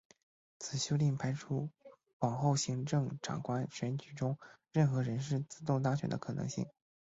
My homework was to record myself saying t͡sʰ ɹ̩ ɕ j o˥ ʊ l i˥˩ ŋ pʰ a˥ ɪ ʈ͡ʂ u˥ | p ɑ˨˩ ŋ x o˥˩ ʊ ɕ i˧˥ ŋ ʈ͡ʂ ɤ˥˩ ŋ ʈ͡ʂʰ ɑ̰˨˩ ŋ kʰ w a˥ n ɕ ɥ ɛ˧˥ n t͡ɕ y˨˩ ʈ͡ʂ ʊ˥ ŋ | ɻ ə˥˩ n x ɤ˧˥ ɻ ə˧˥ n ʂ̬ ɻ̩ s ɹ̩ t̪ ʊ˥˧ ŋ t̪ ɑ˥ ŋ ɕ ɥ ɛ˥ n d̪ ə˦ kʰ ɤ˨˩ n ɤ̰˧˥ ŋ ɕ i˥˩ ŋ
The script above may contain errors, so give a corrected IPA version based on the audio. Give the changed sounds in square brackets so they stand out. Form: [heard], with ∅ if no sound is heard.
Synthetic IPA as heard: t͡sʰ ɹ̩ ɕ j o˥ ʊ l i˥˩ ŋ pʰ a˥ ɪ [ʈ͡ʂʰ] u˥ | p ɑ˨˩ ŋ x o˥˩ ʊ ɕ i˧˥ ŋ ʈ͡ʂ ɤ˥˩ ŋ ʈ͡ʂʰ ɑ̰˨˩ ŋ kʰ w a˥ n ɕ ɥ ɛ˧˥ n t͡ɕ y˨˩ ʈ͡ʂ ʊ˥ ŋ | ɻ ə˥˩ n x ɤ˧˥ ɻ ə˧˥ n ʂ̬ ɻ̩ [t͡s] ɹ̩ t̪ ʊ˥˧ ŋ t̪ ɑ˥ ŋ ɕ ɥ [ɛ˨˩] n d̪ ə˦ kʰ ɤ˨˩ n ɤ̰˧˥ ŋ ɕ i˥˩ ŋ